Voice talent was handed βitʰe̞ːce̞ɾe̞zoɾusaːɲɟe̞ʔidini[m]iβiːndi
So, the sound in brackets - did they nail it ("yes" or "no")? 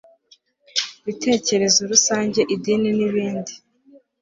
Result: no